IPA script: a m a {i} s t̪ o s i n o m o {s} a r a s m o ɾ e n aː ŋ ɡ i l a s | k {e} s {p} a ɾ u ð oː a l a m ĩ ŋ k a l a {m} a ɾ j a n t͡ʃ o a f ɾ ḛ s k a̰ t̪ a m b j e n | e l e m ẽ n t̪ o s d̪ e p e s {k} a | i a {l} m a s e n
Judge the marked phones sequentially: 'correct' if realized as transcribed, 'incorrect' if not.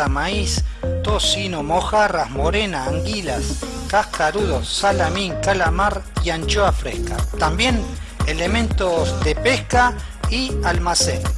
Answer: correct, incorrect: x, incorrect: a, incorrect: k, correct, correct, correct

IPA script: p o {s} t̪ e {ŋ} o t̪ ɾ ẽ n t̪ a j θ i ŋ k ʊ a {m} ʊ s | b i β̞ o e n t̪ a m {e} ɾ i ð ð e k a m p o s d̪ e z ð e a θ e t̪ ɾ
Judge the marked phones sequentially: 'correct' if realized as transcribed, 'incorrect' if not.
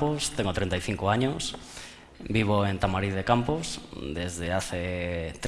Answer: correct, correct, incorrect: ɲ, incorrect: a

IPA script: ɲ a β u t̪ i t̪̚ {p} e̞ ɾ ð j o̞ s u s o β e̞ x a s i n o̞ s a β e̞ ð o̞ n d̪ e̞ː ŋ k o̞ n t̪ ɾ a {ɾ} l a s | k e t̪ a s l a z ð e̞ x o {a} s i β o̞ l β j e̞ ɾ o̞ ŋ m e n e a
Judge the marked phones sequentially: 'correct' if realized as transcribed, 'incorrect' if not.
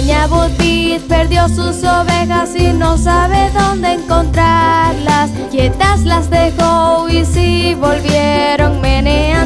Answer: correct, correct, incorrect: i

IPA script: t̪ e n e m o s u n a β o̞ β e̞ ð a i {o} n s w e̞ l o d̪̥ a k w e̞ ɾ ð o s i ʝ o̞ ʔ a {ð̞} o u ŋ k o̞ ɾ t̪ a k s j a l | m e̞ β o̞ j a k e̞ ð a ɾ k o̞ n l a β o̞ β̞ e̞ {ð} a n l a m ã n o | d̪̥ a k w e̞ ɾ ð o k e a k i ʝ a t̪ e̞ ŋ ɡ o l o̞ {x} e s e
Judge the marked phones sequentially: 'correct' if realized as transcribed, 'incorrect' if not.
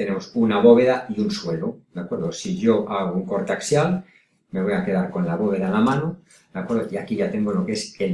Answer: incorrect: u, incorrect: ɣ̞, correct, incorrect: k

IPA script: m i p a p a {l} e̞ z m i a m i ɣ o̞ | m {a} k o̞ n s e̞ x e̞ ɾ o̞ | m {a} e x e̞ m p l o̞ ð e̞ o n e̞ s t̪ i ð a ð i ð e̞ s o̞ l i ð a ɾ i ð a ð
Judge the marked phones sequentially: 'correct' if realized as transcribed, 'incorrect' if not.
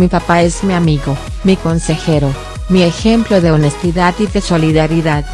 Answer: incorrect: none, incorrect: i, incorrect: i

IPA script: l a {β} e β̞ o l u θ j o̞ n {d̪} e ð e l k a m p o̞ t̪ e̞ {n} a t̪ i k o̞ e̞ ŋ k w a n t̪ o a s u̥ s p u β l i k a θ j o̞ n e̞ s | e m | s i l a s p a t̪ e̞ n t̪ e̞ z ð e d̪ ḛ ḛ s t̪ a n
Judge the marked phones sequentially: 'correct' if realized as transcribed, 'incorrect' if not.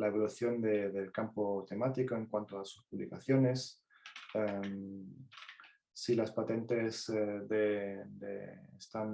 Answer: incorrect: none, correct, incorrect: m

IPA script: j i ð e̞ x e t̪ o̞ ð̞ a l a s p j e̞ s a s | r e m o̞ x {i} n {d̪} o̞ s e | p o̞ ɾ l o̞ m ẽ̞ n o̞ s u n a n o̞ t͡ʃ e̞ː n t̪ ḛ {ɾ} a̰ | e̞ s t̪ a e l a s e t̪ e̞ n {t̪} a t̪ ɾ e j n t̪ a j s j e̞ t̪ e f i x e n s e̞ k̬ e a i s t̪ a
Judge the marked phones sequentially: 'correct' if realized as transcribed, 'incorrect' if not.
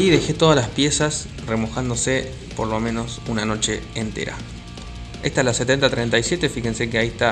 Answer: incorrect: a, correct, correct, correct

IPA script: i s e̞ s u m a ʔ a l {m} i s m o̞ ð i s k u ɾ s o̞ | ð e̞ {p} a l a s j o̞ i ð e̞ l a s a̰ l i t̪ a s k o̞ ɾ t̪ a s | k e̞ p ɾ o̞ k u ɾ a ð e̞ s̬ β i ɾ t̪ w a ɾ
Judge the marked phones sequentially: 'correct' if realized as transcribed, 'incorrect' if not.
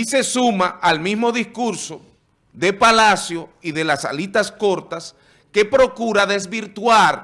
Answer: correct, correct

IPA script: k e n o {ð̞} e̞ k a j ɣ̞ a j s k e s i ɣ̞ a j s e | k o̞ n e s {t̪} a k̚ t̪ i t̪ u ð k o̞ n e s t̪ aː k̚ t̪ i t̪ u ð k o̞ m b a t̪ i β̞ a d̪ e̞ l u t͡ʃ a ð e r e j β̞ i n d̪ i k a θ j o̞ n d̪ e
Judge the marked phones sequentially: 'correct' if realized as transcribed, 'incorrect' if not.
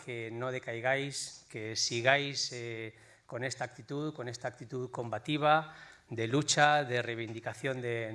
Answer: correct, correct

